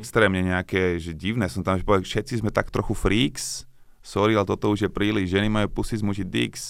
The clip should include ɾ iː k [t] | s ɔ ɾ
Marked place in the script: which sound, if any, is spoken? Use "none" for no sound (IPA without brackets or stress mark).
s